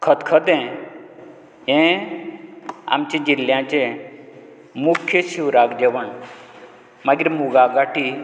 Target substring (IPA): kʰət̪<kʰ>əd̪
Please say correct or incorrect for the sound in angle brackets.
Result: correct